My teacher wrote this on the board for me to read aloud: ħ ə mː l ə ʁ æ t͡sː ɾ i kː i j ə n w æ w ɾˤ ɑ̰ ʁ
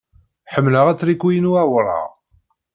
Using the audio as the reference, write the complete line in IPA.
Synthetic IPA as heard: ħ ə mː l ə ʁ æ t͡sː ɾ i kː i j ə n u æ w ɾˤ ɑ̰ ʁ